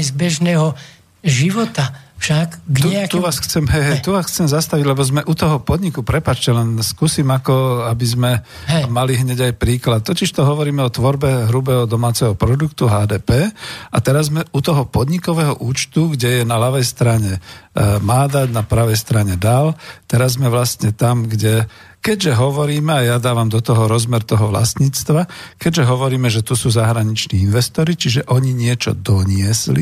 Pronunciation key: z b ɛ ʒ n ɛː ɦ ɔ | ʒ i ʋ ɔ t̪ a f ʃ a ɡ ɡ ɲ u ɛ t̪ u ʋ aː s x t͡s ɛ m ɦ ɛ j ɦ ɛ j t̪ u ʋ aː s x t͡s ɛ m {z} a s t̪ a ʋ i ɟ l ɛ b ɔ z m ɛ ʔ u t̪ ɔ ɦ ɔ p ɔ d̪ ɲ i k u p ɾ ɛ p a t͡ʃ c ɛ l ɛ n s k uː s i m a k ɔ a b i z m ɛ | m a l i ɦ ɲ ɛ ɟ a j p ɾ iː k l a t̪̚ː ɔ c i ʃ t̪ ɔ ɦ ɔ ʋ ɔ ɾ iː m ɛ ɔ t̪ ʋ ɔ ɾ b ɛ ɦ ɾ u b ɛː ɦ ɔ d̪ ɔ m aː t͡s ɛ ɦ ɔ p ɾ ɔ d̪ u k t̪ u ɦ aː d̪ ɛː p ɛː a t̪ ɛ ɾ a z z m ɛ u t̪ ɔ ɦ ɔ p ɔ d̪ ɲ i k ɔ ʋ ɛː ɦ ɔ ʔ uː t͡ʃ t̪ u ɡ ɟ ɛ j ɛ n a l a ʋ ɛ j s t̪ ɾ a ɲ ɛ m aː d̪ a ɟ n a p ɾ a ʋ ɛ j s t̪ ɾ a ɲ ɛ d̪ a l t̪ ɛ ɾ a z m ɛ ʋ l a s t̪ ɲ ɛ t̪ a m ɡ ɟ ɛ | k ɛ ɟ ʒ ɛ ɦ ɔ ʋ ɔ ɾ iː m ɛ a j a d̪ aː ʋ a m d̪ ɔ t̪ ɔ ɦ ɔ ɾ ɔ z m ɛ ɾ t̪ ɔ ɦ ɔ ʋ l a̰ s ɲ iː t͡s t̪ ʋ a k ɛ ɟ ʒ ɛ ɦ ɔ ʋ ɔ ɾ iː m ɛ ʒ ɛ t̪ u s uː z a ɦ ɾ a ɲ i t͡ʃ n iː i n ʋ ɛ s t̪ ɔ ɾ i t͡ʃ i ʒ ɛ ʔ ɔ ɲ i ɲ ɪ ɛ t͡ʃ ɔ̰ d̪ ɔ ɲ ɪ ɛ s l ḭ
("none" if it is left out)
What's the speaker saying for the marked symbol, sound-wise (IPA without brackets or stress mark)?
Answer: z